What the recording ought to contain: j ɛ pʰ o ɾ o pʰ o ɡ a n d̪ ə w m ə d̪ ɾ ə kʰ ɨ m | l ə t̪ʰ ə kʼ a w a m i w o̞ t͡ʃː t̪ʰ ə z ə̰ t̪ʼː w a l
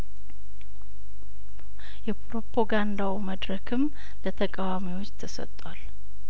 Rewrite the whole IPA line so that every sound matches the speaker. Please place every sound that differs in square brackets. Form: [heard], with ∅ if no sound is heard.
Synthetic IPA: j ɛ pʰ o ɾ o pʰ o ɡ a n d̪ [a] w m ə d̪ ɾ ə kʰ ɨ m | l ə t̪ʰ ə kʼ a w a m i w o̞ t͡ʃː t̪ʰ ə [s] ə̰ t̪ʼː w a l